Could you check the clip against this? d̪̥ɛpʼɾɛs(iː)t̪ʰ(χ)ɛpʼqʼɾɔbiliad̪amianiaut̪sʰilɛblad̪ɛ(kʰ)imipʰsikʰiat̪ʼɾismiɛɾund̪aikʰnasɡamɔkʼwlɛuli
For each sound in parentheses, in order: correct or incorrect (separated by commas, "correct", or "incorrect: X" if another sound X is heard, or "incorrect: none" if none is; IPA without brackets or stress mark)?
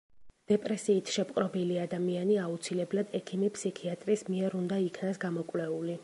correct, incorrect: ʃ, correct